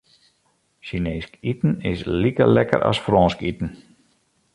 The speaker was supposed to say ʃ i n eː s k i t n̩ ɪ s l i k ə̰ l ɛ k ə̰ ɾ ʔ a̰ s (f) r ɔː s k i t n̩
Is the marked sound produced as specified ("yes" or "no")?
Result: yes